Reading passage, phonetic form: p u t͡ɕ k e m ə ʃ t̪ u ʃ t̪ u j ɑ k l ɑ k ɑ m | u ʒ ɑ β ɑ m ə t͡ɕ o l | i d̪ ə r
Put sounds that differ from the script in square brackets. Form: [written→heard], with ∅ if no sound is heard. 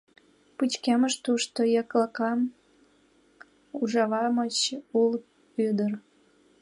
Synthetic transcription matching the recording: p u t͡ɕ k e m ə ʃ t̪ u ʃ t̪ [u→o] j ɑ k l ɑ k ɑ m | u ʒ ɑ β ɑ m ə t͡ɕ [o→u] l | [i→y] d̪ ə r